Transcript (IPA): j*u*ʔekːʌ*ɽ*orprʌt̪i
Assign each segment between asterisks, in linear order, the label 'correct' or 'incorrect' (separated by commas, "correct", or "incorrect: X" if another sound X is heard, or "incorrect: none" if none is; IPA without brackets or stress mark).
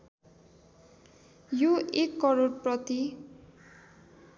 incorrect: o, incorrect: ɾ